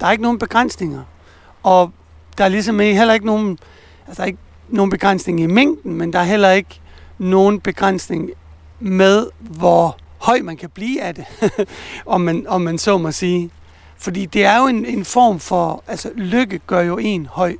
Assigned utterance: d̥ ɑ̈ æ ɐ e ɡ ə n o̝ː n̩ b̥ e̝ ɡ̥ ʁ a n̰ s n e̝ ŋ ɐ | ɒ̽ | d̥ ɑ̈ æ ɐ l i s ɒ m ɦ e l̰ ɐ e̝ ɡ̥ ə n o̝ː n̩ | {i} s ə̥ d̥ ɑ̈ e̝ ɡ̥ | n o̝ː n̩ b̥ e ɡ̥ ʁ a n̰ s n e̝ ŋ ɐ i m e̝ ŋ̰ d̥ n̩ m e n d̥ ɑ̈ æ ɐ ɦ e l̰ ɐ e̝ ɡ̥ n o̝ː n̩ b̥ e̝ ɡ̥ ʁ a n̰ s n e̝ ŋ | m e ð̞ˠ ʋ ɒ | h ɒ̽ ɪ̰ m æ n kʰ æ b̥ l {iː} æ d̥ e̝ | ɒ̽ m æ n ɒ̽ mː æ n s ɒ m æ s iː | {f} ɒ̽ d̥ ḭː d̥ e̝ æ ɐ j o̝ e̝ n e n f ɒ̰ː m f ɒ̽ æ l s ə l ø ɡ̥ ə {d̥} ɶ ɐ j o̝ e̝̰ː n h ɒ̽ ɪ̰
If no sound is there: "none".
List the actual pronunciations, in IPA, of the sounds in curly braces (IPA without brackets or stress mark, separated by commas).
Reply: æ, iː, f, ɡ̥